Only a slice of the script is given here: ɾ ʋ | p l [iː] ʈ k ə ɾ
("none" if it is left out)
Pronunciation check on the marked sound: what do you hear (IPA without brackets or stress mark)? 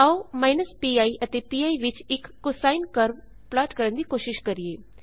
aː